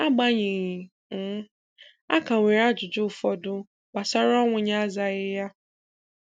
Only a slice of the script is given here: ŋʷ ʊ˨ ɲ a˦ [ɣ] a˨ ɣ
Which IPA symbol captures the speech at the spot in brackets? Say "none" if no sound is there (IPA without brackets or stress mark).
z